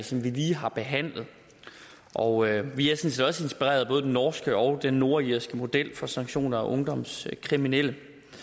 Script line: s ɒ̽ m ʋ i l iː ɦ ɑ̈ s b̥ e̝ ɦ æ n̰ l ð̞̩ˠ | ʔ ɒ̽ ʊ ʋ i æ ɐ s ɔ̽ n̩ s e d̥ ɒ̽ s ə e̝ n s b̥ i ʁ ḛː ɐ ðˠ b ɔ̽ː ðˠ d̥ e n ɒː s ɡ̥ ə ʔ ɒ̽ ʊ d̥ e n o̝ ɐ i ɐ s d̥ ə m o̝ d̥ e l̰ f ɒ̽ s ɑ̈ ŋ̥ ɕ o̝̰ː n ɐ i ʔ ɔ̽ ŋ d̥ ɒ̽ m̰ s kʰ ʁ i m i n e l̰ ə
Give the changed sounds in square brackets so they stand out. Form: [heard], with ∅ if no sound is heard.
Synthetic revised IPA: s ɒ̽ m ʋ i l iː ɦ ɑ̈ [∅] b̥ e̝ ɦ æ n̰ l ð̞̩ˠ | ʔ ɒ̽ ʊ ʋ i æ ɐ s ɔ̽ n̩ s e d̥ ɒ̽ s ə e̝ n s b̥ i ʁ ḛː ɐ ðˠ b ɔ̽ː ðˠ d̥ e n ɒː s ɡ̥ ə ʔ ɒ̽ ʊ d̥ e [nː] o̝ ɐ i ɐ s [ɡ̥] ə m o̝ d̥ e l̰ f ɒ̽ s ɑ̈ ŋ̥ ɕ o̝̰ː n ɐ [æ] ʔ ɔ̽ ŋ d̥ ɒ̽ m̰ s kʰ ʁ i m i n e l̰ ə